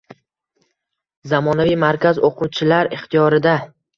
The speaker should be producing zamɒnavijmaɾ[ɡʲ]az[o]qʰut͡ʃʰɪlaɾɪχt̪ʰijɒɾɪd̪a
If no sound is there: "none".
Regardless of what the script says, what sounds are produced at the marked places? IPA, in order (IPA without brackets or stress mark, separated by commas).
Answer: kʲ, o